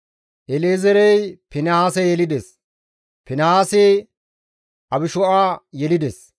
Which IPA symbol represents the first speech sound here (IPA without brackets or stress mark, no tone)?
ʔ